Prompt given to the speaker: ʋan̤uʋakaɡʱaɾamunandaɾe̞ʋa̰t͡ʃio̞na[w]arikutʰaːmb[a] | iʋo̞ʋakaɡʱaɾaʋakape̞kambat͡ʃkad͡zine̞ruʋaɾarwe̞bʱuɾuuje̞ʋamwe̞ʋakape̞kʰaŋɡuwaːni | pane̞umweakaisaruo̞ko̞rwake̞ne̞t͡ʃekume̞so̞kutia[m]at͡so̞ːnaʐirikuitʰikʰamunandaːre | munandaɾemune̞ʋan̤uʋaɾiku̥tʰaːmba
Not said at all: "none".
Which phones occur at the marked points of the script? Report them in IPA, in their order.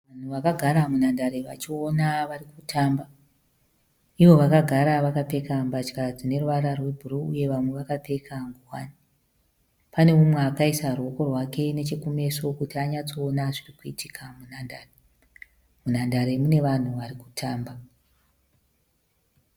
ʋ, a, ɲ

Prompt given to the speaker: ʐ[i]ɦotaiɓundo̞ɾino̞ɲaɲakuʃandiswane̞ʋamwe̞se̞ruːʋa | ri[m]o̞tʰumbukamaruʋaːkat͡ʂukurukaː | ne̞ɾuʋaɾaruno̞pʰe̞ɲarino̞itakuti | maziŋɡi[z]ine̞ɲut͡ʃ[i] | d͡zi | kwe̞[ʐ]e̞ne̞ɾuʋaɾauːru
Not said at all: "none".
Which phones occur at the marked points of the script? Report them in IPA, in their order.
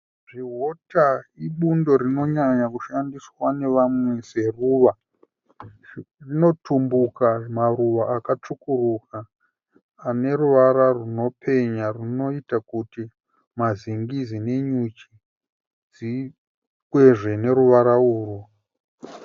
i, n, z, i, ʐ

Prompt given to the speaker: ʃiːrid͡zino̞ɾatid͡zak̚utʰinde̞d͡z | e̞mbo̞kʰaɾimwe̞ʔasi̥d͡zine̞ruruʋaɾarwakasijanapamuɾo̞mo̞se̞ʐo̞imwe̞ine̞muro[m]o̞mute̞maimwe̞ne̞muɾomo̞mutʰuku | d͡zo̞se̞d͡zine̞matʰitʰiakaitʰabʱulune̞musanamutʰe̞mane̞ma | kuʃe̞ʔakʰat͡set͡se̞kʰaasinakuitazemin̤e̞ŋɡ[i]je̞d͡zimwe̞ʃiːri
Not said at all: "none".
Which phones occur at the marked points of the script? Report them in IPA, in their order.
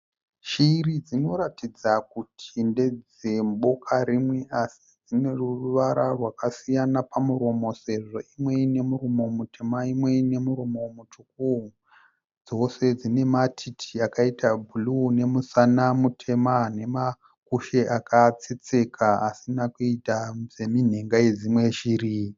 m, a

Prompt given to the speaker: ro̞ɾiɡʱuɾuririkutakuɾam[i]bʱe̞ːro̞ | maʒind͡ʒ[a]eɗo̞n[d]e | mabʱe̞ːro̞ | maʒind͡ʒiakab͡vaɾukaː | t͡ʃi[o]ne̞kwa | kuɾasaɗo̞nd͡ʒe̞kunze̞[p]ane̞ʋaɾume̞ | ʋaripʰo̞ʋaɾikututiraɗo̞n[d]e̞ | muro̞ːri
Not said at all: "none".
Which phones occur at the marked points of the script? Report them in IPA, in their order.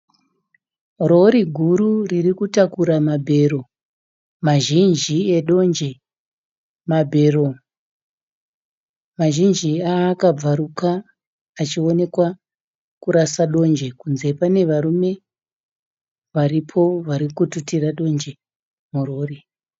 a, i, d͡ʒ, o, p, d͡ʒ

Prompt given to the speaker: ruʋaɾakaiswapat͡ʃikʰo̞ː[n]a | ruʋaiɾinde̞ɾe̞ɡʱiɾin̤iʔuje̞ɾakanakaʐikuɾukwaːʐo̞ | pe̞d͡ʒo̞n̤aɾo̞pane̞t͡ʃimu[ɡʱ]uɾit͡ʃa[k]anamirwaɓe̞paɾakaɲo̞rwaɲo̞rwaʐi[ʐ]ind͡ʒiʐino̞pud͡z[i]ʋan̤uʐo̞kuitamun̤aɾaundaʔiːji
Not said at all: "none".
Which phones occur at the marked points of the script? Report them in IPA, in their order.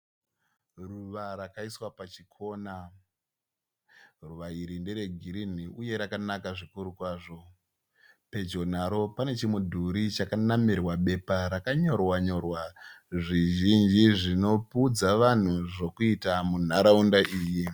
n, dʱ, k, ʒ, a

